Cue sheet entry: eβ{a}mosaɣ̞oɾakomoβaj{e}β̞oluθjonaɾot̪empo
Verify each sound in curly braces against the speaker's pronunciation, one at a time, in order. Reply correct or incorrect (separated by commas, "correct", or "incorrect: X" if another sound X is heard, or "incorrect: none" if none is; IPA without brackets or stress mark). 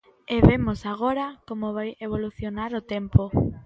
incorrect: e, correct